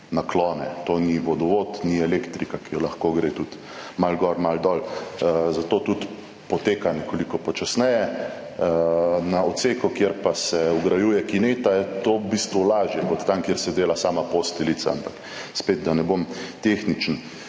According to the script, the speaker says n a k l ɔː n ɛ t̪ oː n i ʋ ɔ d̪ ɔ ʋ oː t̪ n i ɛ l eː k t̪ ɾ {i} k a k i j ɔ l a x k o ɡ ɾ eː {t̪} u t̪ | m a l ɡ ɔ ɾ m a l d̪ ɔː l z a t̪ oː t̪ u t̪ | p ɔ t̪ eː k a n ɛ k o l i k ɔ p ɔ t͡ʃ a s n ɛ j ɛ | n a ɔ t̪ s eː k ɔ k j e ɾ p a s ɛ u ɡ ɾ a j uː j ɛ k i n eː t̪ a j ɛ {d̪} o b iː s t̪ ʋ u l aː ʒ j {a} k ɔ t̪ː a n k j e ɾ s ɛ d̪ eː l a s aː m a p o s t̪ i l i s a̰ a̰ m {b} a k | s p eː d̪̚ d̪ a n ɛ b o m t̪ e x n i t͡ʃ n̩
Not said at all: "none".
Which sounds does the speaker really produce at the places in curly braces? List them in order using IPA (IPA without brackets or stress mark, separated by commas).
i, t̪, t̪, ɛ, p